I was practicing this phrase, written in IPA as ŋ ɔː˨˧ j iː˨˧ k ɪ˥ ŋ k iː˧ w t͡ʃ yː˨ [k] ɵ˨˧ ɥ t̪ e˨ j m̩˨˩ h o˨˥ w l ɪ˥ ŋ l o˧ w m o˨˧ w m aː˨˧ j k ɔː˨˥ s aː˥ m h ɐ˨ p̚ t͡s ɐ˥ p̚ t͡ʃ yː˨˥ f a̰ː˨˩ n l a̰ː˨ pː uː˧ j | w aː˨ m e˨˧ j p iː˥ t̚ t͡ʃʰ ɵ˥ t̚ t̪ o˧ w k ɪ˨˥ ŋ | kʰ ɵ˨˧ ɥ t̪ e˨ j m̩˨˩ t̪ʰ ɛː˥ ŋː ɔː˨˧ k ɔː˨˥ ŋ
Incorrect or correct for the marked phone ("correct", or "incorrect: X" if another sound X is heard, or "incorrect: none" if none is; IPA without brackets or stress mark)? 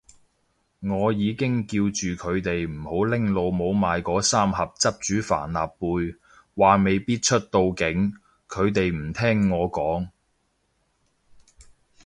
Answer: incorrect: kʰ